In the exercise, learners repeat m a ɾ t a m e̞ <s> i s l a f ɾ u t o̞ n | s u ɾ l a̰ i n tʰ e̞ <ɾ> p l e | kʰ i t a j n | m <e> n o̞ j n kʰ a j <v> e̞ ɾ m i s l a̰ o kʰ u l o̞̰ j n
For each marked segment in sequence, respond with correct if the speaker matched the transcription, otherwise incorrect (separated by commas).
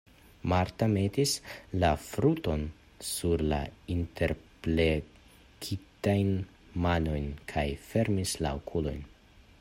incorrect, correct, incorrect, incorrect